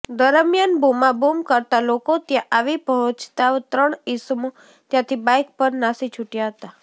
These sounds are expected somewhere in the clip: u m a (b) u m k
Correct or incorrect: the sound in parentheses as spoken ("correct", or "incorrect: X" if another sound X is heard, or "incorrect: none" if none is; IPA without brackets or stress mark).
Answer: correct